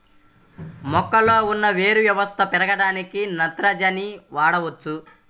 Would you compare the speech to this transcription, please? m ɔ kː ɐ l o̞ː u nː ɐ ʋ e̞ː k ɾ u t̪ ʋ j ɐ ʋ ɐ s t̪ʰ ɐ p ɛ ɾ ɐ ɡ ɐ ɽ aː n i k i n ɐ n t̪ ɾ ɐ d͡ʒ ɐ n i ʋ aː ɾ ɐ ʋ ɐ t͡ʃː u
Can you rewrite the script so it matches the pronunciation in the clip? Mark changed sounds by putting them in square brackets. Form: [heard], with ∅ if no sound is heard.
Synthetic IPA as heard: m ɔ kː ɐ l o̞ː u nː ɐ ʋ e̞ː [∅] ɾ u [∅] ʋ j ɐ ʋ ɐ s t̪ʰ ɐ p ɛ ɾ ɐ ɡ ɐ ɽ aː n i k i n ɐ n t̪ ɾ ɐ d͡ʒ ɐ n i ʋ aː [ɽ] ɐ ʋ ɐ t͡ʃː u